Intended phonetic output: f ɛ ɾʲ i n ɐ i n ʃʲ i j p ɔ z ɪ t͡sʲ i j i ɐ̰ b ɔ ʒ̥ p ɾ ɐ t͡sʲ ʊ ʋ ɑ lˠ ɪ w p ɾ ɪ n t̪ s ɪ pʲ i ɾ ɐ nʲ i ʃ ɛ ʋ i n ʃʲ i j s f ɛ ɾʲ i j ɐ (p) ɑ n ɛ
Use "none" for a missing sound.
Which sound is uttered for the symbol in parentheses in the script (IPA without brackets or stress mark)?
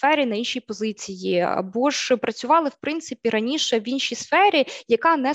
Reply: k